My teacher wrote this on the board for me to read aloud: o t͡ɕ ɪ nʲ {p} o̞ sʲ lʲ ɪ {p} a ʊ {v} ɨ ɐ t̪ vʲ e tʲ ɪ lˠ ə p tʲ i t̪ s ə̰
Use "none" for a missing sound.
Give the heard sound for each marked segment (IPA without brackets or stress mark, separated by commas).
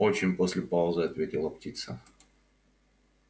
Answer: p, p, z